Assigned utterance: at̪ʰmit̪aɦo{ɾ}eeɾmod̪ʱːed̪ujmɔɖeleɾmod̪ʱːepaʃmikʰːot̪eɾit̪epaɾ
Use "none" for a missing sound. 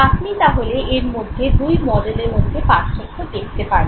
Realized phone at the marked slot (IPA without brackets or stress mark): l